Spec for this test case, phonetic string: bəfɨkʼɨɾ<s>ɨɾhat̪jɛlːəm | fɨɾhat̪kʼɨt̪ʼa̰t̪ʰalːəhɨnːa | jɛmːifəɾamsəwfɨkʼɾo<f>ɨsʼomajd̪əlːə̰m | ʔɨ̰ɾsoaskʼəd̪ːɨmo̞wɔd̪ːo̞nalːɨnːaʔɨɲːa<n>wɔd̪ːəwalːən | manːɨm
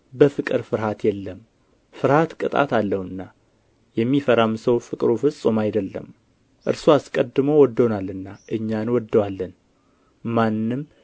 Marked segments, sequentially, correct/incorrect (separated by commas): incorrect, correct, correct